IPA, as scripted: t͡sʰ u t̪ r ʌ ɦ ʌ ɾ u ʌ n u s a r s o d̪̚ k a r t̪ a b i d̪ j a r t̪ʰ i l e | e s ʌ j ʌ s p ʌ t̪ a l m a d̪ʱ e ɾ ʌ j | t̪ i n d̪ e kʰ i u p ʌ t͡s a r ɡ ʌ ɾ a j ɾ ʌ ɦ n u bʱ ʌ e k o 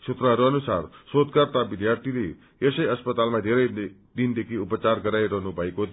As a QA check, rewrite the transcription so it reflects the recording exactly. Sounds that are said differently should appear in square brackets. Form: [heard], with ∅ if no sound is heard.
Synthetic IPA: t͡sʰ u t̪ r ʌ ɦ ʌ ɾ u ʌ n u s a r s o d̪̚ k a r t̪ a b i d̪ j a r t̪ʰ i l e | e s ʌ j ʌ s p ʌ t̪ a l m a d̪ʱ e ɾ ʌ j | [d̪] i n d̪ e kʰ i u p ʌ t͡s a r ɡ ʌ ɾ a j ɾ ʌ ɦ n u bʱ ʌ e k o